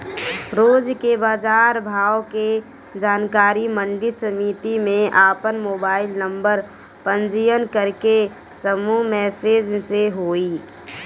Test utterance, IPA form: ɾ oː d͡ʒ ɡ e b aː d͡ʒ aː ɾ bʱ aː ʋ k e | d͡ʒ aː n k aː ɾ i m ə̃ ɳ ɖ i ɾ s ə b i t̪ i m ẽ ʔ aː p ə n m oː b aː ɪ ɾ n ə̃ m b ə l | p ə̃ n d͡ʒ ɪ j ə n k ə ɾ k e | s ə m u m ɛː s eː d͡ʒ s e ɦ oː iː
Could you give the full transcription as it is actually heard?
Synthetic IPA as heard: ɾ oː d͡ʒ k e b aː d͡ʒ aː ɾ bʱ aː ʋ k e | d͡ʒ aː n k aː ɾ i m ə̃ ɳ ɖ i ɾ s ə m i t̪ i m ẽ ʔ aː p ə n m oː b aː ɪ l n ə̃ m b ə ɾ | p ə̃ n d͡ʒ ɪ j ə n k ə ɾ k e | s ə m u m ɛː s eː d͡ʒ s e ɦ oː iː

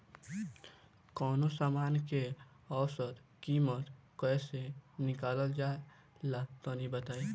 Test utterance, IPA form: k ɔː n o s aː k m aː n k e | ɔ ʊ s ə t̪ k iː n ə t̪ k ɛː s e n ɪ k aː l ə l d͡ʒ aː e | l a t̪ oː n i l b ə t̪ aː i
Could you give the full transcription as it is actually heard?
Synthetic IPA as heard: k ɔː n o s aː m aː n k e | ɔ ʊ s ə t̪ k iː m ə t̪ k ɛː s e n ɪ k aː l ə l d͡ʒ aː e | l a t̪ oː n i b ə t̪ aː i

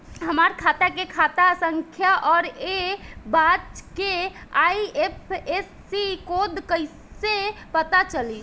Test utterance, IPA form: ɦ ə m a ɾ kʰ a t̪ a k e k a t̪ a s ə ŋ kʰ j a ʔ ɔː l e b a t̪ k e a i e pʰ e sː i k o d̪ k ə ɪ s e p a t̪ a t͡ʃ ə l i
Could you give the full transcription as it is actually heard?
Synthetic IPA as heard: ɦ ə m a ɾ kʰ a t̪ a k e kʰ a t̪ a s ə ŋ kʰ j a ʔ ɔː ɾ e b a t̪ k e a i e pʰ e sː i k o d̪ k ə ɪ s e p ə t̪ a t͡ʃ ə l i

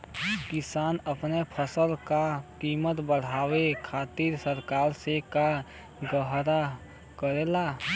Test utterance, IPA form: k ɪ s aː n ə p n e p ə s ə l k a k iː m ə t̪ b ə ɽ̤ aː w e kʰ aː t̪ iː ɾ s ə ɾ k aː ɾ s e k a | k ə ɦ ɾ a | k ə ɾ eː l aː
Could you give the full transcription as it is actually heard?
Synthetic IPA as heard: k ɪ s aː n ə p n e pʰ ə s ə l k a k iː m ə t̪ b ə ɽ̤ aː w e kʰ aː t̪ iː ɾ s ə ɾ k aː ɾ s e k a | ɡ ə ɦ ɾ a | k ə ɾ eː l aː

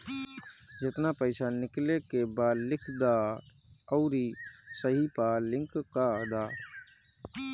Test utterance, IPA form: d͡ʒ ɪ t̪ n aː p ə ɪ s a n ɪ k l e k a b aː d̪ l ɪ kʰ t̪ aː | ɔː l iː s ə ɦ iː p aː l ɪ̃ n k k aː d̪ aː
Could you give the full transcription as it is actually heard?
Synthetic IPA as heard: d͡ʒ ɪ t̪ n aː p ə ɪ s a n ɪ k l e k e b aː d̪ l ɪ kʰ d̪ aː | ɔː ɾ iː s ə ɦ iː p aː l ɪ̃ ŋ k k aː d̪ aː

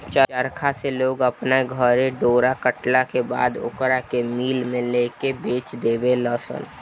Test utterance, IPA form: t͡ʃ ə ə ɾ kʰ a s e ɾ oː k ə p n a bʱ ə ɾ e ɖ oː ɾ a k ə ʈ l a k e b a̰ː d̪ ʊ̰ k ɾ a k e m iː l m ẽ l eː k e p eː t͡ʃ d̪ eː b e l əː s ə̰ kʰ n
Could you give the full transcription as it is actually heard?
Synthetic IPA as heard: t͡ʃ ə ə ɾ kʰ a s e l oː ɡ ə p n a ɡʱ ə ɾ e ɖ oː ɾ a k ə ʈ l a k e b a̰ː d̪ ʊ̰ k ɾ a k e m iː l m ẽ l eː k e b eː t͡ʃ d̪ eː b e l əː s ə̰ n

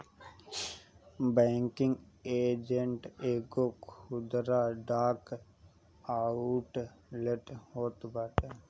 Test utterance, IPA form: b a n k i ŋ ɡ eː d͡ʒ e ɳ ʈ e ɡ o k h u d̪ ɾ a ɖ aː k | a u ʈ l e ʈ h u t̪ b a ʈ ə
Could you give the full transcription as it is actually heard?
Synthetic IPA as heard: b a ŋ k i ŋ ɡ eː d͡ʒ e ɳ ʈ e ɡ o k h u d̪ ɾ a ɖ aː k | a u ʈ l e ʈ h o t̪ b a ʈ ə

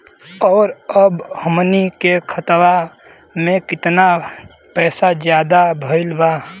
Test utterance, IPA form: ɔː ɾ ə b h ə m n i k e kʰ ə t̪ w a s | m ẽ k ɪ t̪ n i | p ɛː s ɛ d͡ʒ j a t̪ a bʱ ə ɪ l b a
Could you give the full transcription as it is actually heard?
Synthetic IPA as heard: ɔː ɾ ə b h ə m n i k e kʰ ə t̪ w a | m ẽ k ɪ t̪ n a | p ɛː s a d͡ʒ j a d̪ a bʱ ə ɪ l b a

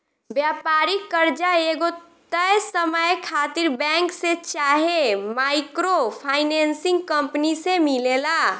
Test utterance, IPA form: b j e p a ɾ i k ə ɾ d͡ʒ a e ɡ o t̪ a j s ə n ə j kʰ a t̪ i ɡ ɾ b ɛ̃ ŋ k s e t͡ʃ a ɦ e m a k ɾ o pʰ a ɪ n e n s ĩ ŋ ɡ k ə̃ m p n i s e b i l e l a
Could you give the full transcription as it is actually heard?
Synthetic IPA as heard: b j a p a ɾ i k ə ɾ d͡ʒ a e ɡ o t̪ ə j s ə m ə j kʰ a t̪ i ɾ b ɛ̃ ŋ k s e t͡ʃ a ɦ e m a k ɾ o pʰ a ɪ n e n s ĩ ŋ ɡ k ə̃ m p n i s e m i l e l a

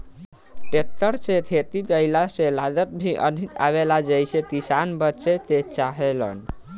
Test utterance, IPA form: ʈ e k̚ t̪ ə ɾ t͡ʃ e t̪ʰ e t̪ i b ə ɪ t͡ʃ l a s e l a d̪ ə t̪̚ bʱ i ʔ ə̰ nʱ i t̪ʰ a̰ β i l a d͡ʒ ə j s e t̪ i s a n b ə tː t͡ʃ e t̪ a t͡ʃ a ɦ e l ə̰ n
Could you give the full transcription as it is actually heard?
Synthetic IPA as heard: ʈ e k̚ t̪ ə ɾ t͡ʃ e t̪ʰ e t̪ i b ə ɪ l a s e l a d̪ ə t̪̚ bʱ i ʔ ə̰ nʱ i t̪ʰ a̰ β e l a d͡ʒ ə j s e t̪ i s a n b ə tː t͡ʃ e t̪ e t͡ʃ a ɦ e l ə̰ n

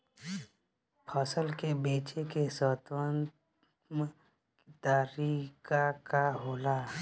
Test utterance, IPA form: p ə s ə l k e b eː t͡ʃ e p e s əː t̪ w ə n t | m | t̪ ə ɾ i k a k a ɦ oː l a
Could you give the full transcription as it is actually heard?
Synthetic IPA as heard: pʰ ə s ə l k e b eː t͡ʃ e k e s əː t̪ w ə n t | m | t̪ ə ɾ i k a k a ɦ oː l a

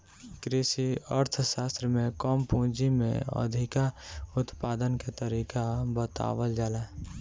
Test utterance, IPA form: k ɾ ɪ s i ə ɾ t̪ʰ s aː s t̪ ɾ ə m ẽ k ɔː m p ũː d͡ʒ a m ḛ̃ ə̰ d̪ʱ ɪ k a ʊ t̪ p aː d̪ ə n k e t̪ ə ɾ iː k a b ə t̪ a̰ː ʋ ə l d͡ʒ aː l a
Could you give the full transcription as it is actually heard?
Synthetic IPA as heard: k ɾ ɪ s i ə ɾ t̪ʰ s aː s t̪ ɾ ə m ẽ k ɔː m p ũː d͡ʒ i m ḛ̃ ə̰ d̪ʱ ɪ k a ʊ t̪ p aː d̪ ə n k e t̪ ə ɾ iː k a b ə t̪ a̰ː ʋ ə l d͡ʒ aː l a

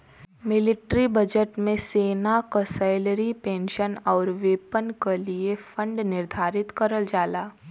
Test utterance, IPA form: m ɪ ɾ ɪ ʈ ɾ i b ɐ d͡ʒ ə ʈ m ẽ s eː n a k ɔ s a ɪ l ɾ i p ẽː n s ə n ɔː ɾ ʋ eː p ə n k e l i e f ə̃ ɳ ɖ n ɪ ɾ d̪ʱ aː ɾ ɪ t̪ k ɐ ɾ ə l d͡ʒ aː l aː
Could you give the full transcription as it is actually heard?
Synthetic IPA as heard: m ɪ l ɪ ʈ ɾ i b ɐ d͡ʒ ə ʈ m ẽ s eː n a k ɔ s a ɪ l ɾ i p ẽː n ʃ ə n ɔː ɾ ʋ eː p ə n k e l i e f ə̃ ɳ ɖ n ɪ ɾ d̪ʱ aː ɾ ɪ t̪ k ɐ ɾ ə l d͡ʒ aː l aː

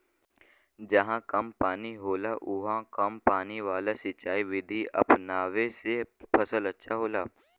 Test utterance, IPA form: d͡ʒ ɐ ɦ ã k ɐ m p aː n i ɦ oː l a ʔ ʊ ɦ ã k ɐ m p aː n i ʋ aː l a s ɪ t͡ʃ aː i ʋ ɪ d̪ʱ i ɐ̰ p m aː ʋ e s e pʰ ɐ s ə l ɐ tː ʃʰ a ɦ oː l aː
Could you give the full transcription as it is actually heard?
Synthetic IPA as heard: d͡ʒ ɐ ɦ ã k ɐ m p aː n i ɦ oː l a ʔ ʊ ɦ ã k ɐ m p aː n i ʋ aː l a s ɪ t͡ʃ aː i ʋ ɪ d̪ʱ i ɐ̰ p n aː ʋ e s e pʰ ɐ s ə l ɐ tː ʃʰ a ɦ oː l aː

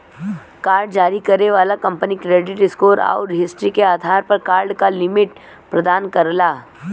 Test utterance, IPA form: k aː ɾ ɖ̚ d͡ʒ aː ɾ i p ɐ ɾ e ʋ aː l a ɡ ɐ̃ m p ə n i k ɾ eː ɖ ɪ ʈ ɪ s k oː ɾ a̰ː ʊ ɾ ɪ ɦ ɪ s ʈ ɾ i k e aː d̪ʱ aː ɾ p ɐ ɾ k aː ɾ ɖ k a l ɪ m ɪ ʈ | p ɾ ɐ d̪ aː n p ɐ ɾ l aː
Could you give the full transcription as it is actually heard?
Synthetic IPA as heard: k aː ɾ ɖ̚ d͡ʒ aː ɾ i k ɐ ɾ e ʋ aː l a k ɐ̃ m p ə n i k ɾ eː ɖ ɪ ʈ ɪ s k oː ɾ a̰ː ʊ ɾ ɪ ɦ ɪ s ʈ ɾ i k e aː d̪ʱ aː ɾ p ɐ ɾ k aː ɾ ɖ k a l ɪ m ɪ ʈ | p ɾ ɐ d̪ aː n k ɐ ɾ l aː

